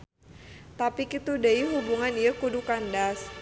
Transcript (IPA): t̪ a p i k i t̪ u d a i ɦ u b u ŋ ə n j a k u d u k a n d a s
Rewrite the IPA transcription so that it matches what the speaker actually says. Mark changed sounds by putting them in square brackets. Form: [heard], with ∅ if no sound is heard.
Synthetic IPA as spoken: t̪ a p i k i t̪ u d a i ɦ u b u ŋ [a] n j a k u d u k a n d a s